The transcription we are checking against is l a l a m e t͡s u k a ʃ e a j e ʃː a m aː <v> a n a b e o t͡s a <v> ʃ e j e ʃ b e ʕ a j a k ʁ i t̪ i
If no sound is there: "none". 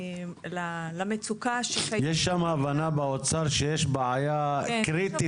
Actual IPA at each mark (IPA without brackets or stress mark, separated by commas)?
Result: v, ʁ